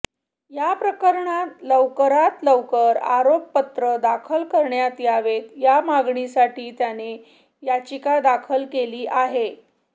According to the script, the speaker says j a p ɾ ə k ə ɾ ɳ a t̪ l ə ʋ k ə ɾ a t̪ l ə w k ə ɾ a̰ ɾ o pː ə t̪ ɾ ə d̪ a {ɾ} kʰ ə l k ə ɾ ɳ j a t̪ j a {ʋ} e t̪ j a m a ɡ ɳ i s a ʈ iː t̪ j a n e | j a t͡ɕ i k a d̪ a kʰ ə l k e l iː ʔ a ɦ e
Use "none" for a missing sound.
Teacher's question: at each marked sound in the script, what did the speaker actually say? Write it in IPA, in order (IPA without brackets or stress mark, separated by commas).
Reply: none, ʋ